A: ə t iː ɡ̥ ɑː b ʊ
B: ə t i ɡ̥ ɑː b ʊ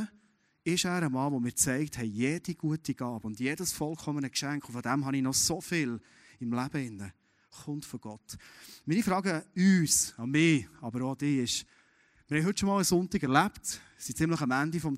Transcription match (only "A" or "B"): B